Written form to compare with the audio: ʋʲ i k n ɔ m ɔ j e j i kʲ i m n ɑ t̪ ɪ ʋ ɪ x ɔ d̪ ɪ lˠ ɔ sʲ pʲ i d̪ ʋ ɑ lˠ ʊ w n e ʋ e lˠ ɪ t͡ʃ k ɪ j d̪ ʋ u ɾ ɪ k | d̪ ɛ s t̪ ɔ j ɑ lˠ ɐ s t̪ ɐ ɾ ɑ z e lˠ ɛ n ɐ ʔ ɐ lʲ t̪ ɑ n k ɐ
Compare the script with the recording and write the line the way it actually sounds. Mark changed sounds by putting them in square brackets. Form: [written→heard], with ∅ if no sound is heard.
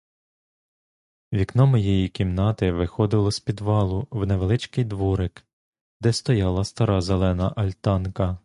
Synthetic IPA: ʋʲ i k n ɔ m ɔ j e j i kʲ i m n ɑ t̪ ɪ ʋ ɪ x ɔ d̪ ɪ lˠ ɔ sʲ pʲ i d̪ ʋ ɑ lˠ ʊ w n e ʋ e lˠ ɪ t͡ʃ k ɪ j d̪ ʋ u ɾ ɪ k | d̪ ɛ s t̪ ɔ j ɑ lˠ ɐ s t̪ ɐ ɾ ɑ z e lˠ ɛ n ɐ ʔ ɐ lʲ t̪ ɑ n k ɐ